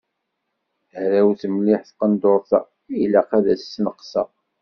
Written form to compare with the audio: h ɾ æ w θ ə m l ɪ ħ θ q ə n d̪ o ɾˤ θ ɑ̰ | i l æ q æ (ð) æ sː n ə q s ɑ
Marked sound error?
no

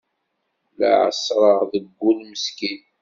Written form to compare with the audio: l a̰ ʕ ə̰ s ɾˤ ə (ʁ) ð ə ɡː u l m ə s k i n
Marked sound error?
no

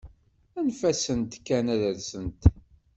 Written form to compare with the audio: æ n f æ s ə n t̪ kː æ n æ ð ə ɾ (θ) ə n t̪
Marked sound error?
yes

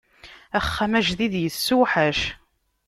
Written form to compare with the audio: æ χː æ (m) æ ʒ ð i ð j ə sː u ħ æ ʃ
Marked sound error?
no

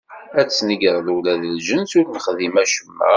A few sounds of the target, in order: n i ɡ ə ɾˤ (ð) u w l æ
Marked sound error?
no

